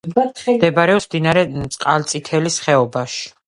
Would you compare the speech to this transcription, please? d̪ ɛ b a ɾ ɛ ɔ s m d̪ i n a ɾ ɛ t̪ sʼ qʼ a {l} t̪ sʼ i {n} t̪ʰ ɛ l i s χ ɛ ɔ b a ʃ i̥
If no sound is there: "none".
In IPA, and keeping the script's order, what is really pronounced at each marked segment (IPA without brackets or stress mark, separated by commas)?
l, none